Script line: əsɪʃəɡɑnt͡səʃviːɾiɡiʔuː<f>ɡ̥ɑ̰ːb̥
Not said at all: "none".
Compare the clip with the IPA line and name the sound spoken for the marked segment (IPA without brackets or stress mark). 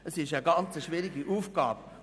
f